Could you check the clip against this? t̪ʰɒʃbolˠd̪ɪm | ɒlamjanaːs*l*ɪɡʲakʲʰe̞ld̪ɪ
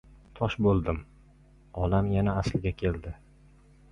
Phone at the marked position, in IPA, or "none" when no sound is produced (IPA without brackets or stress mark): l